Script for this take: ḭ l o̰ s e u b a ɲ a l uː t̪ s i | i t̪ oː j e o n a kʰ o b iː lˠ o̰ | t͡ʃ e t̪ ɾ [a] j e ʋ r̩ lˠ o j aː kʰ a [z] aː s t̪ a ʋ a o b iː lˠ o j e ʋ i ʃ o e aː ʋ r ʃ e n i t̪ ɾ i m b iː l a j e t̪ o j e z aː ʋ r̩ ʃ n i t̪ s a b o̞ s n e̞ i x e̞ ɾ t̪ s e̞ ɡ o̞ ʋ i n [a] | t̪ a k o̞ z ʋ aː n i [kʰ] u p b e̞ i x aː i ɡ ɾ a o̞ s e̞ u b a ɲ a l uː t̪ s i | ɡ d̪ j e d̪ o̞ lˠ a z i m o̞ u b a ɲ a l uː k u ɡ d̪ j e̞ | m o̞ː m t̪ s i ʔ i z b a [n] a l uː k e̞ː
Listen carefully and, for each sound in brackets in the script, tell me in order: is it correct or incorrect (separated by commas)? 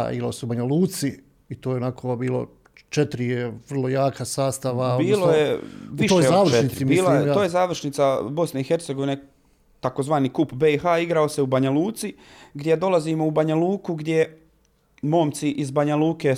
incorrect, incorrect, incorrect, incorrect, incorrect